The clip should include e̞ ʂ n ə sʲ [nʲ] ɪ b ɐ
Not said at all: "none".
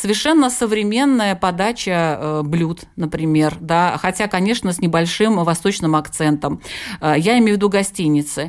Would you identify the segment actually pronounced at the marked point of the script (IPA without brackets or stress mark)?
nʲ